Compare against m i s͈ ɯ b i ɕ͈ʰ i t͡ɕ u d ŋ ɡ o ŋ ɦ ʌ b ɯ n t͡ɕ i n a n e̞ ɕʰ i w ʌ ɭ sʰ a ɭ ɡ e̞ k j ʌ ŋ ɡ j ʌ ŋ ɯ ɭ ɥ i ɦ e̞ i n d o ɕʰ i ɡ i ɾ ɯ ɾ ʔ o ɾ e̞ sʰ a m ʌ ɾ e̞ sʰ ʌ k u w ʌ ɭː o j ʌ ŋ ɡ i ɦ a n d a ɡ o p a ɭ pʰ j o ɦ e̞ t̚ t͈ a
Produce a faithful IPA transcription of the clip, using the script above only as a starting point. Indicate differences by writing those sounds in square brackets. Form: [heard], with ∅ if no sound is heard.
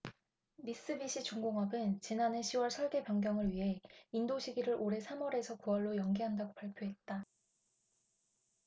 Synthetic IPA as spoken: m i s͈ ɯ b i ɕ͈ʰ i t͡ɕ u [∅] ŋ ɡ o ŋ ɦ ʌ b ɯ n t͡ɕ i n a n e̞ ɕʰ i w ʌ ɭ sʰ [ʌ] ɭ ɡ e̞ [p] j ʌ ŋ ɡ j ʌ ŋ ɯ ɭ ɥ i ɦ e̞ i n d o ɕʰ i ɡ i ɾ ɯ ɾ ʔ o ɾ e̞ sʰ a m ʌ ɾ e̞ sʰ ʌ k u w ʌ ɭː o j ʌ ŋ ɡ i ɦ a n d a ɡ o p a ɭ pʰ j o ɦ e̞ t̚ t͈ a

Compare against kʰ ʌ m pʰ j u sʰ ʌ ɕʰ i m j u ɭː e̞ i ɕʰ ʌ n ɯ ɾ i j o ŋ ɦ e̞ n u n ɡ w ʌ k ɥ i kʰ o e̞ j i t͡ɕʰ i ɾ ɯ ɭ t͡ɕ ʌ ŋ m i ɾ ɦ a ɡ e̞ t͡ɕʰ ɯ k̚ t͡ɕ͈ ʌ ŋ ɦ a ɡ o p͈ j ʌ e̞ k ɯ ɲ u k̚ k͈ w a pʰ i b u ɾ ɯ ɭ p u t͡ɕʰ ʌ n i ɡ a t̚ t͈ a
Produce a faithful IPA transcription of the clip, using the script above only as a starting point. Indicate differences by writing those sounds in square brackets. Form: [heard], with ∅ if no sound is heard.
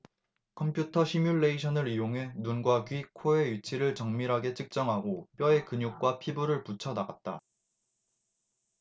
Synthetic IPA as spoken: kʰ ʌ m pʰ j u [tʰ] ʌ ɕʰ i m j u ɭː e̞ i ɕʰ ʌ n ɯ ɾ i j o ŋ ɦ e̞ n u n ɡ w [a] k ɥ i kʰ o e̞ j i t͡ɕʰ i ɾ ɯ ɭ t͡ɕ ʌ ŋ m i ɾ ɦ a ɡ e̞ t͡ɕʰ ɯ k̚ t͡ɕ͈ ʌ ŋ ɦ a ɡ o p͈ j ʌ e̞ k ɯ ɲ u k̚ k͈ w a pʰ i b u ɾ ɯ ɭ p u t͡ɕʰ ʌ n [a] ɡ a t̚ t͈ a

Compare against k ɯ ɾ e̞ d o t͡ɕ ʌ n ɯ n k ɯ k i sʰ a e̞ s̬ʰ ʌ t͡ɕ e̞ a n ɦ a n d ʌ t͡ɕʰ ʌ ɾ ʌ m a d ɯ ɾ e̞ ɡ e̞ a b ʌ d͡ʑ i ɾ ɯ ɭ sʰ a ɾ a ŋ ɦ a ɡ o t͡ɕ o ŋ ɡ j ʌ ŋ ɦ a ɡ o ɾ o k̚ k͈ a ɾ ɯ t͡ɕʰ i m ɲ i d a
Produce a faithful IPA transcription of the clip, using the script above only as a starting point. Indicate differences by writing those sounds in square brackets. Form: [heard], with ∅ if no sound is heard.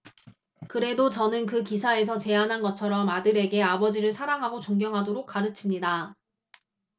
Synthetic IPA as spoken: k ɯ ɾ e̞ d o t͡ɕ ʌ n ɯ n k ɯ k i sʰ a e̞ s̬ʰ ʌ t͡ɕ e̞ a n ɦ a n [ɡ] ʌ t͡ɕʰ ʌ ɾ ʌ m a d ɯ ɾ e̞ ɡ e̞ a b ʌ d͡ʑ i ɾ ɯ ɭ sʰ a ɾ a ŋ ɦ a ɡ o t͡ɕ o ŋ ɡ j ʌ ŋ ɦ a [d] o ɾ o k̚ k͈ a ɾ ɯ t͡ɕʰ i m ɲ i d a

